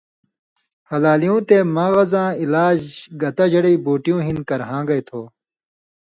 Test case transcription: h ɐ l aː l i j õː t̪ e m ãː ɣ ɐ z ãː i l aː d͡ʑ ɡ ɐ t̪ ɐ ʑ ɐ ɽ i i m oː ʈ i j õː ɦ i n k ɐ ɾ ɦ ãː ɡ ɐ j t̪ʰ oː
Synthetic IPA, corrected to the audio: h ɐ l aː l i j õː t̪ e m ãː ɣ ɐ z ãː i l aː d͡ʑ ɡ ɐ t̪ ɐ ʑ ɐ ɽ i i b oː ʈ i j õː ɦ i n k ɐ ɾ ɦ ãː ɡ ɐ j t̪ʰ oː